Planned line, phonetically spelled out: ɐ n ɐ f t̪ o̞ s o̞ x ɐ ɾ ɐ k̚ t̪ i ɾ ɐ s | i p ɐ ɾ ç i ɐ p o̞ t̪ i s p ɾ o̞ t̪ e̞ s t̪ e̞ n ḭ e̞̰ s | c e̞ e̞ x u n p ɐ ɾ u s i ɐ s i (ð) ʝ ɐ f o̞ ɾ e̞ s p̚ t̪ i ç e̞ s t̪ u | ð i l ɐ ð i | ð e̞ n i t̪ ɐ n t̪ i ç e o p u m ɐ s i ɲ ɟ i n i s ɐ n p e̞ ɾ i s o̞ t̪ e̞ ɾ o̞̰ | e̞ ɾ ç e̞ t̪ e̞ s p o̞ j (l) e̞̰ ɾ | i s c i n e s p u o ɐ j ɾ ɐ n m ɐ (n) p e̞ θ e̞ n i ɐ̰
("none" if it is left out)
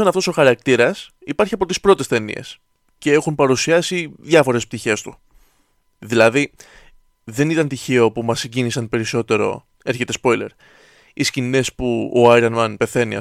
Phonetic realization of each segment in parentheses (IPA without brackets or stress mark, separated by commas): ð, l, n